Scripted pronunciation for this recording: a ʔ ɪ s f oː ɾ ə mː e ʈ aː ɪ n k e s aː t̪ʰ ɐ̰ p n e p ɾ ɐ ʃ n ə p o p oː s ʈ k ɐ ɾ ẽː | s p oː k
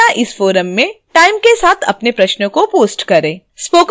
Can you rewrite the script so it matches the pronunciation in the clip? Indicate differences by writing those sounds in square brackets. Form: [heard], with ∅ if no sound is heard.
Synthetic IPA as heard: a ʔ ɪ s f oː ɾ ə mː [ẽ] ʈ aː ɪ [m] k e s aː t̪ʰ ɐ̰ p n e p ɾ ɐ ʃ n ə [k] o p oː s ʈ k ɐ ɾ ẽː | s p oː k